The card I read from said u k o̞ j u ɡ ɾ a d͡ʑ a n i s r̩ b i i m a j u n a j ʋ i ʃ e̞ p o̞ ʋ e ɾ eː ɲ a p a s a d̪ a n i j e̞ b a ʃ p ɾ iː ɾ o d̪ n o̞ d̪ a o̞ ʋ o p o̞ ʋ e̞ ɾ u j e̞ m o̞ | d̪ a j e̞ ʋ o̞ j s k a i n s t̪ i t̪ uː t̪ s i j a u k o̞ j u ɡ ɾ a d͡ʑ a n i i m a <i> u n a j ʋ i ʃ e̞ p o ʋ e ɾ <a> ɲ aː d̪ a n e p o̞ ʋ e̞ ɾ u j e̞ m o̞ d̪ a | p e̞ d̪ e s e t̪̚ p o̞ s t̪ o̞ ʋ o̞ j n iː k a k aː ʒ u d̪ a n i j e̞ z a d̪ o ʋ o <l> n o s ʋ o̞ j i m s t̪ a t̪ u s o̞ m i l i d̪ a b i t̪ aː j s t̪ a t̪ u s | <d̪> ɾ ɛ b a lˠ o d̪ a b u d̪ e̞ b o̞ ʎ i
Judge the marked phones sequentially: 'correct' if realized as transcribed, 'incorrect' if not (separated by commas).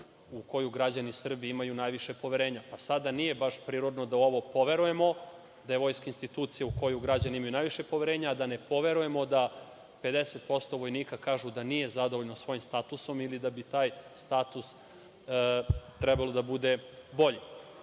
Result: incorrect, incorrect, incorrect, incorrect